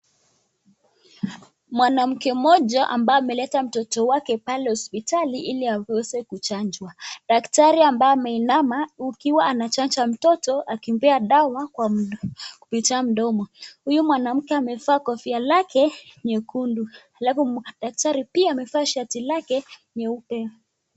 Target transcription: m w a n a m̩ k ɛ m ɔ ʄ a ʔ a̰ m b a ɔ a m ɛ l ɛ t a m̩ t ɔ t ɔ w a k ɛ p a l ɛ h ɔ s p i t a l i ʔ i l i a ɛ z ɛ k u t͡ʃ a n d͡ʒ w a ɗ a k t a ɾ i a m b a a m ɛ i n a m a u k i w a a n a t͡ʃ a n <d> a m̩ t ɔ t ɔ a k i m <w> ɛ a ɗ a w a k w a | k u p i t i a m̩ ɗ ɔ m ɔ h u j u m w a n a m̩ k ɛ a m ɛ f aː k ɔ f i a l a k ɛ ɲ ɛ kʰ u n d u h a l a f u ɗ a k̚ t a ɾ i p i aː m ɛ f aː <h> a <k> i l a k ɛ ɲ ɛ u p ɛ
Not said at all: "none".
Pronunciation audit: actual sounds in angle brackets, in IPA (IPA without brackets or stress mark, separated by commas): d͡ʒ, b, ʃ, t